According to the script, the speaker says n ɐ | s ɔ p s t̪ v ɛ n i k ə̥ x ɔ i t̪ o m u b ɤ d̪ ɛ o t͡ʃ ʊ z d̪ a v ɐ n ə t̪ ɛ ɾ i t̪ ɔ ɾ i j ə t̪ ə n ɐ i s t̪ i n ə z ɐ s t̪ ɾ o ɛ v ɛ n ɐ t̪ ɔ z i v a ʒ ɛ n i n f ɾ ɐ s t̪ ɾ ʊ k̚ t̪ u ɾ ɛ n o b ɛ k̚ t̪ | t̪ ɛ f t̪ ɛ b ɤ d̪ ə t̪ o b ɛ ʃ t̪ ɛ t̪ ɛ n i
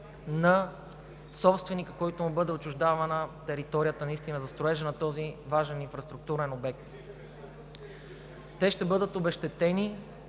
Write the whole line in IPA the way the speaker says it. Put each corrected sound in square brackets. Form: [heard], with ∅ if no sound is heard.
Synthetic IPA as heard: n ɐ | s ɔ p s t̪ v ɛ n i k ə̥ [k] ɔ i t̪ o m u b ɤ d̪ ɛ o t͡ʃ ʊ [ʒ] d̪ a v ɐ n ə t̪ ɛ ɾ i t̪ ɔ ɾ i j ə t̪ ə n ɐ i s t̪ i n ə z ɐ s t̪ ɾ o ɛ [ʒ] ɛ n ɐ t̪ ɔ z i v a ʒ ɛ n i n f ɾ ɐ s t̪ ɾ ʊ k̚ t̪ u ɾ ɛ n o b ɛ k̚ t̪ | t̪ ɛ [ʃ] t̪ ɛ b ɤ d̪ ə t̪ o b ɛ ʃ t̪ ɛ t̪ ɛ n i